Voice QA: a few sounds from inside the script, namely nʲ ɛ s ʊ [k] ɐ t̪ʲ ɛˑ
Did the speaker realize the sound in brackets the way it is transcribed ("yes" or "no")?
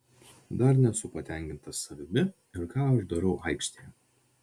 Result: no